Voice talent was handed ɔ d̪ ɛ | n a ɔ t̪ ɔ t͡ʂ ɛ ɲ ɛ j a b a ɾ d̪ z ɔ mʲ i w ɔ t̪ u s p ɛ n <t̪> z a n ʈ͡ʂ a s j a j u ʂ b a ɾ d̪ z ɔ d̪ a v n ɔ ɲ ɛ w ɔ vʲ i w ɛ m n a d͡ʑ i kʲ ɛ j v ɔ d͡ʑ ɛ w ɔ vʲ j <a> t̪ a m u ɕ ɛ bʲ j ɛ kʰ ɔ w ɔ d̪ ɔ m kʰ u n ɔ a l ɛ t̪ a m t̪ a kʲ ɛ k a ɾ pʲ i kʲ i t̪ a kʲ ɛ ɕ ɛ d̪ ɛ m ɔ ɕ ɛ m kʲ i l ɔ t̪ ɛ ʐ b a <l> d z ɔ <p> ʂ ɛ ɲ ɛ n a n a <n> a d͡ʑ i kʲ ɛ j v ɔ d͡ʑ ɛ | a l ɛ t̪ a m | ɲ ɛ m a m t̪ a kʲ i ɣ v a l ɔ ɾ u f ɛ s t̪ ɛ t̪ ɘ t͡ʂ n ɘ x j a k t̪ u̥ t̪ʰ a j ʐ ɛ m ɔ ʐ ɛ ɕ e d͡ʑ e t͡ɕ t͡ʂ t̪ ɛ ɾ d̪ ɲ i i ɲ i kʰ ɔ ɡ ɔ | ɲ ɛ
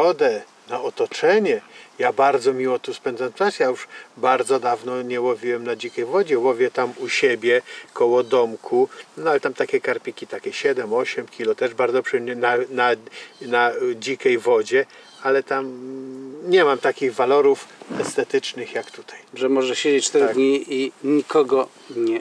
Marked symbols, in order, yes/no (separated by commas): no, no, no, yes, yes